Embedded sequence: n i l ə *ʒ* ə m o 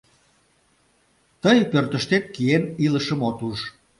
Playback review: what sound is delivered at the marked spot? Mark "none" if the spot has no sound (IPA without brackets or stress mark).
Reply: ʃ